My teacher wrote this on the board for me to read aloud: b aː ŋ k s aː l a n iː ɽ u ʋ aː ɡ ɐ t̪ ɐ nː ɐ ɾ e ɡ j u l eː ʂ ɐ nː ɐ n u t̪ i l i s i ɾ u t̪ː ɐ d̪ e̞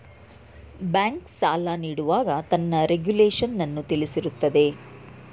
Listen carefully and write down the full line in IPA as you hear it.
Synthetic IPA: b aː ŋ k s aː l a n iː ɽ u ʋ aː ɡ ɐ t̪ ɐ nː ɐ ɾ e ɡ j u l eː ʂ ɐ nː ɐ nː u t̪ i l i s i ɾ u t̪ː ɐ d̪ e̞